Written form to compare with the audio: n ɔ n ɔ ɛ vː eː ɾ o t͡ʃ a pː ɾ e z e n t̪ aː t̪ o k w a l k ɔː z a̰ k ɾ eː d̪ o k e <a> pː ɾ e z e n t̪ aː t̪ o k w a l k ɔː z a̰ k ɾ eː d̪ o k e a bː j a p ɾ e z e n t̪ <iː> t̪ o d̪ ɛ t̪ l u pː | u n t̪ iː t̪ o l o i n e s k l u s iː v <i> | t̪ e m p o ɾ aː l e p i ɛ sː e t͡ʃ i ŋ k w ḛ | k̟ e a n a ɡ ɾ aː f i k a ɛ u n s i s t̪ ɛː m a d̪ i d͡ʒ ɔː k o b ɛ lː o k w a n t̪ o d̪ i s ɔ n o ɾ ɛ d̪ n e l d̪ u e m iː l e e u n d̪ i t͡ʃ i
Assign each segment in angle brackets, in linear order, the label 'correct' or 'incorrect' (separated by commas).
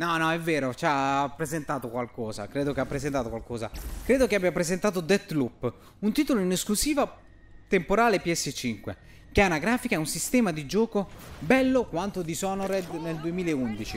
correct, incorrect, incorrect